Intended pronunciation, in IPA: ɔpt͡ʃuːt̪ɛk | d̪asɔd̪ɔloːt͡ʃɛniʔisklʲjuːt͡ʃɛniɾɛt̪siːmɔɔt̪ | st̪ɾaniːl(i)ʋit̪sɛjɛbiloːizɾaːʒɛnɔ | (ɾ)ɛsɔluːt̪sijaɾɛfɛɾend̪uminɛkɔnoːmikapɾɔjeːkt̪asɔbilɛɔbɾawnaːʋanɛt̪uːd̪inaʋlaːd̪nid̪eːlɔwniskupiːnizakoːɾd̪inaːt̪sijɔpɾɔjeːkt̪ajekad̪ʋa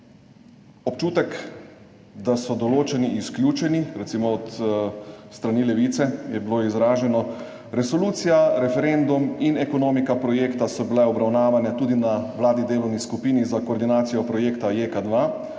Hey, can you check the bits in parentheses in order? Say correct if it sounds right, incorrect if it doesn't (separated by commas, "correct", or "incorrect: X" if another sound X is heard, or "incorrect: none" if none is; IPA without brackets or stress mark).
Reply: incorrect: ɛ, correct